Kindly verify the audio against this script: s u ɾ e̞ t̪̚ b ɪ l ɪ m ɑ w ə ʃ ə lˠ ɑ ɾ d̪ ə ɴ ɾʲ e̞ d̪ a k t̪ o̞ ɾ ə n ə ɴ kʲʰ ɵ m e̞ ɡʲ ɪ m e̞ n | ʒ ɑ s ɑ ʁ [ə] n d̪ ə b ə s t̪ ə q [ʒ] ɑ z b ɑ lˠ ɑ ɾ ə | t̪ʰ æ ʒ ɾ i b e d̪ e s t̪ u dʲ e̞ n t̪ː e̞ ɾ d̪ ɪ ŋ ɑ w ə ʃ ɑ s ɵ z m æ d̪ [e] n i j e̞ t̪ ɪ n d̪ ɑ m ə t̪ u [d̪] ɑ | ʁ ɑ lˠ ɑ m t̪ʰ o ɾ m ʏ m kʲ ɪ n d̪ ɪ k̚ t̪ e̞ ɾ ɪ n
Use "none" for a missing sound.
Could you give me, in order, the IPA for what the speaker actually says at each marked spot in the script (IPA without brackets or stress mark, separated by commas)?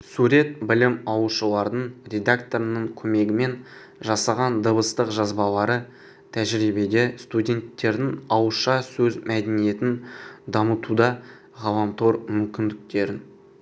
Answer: ɑ, ʒ, e, d̪